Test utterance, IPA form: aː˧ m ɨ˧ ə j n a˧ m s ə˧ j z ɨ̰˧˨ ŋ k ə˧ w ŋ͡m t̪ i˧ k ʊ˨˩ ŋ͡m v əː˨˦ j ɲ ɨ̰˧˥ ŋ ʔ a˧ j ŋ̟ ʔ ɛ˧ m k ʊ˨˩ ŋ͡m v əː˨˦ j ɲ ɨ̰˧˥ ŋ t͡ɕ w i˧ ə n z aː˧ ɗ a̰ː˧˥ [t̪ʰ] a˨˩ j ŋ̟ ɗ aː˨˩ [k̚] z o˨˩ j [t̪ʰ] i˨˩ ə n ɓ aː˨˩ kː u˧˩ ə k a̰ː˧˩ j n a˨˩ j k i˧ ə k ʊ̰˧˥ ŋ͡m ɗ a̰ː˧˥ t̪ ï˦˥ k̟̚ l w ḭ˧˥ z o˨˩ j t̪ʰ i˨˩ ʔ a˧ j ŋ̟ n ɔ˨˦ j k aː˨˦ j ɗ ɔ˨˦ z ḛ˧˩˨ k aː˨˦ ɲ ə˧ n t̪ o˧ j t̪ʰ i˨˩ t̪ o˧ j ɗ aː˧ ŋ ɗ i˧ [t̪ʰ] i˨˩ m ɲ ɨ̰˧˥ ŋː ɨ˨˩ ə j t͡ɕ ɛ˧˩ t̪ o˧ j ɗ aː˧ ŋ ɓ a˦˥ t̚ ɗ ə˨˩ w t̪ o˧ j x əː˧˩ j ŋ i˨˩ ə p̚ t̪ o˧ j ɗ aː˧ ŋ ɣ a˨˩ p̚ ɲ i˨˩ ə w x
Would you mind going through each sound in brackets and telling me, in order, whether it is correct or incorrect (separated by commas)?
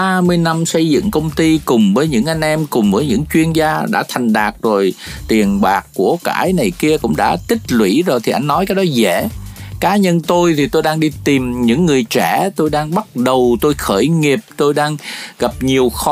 correct, correct, incorrect, incorrect